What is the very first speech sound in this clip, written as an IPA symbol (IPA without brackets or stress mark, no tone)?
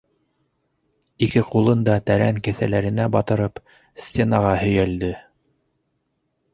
i